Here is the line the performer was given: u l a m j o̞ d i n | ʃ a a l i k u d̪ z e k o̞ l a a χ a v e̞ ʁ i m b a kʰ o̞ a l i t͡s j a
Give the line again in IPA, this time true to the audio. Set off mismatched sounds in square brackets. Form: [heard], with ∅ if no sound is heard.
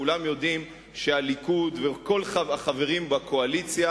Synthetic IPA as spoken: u l a m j o̞ d i [m] | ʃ [e] a l i k u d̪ [v] e k o̞ l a a χ a v e̞ ʁ i m b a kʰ o̞ a l i t͡s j a